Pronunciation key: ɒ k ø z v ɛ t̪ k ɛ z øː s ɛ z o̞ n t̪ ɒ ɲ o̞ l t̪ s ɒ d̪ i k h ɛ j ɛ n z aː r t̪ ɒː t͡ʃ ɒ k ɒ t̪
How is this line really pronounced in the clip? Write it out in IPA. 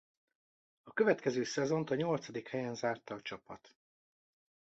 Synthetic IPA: ɒ k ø v ɛ t̪ k ɛ z øː s ɛ z o̞ n t̪ ɒ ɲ o̞ l t̪ s ɒ d̪ i k h ɛ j ɛ n z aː r t̪ ɒː t͡ʃ ɒ p ɒ t̪